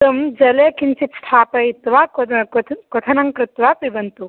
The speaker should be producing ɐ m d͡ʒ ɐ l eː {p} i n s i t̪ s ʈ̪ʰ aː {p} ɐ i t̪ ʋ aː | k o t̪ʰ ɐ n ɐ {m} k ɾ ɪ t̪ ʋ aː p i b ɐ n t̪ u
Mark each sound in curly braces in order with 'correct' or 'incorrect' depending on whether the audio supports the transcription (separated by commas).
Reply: incorrect, correct, incorrect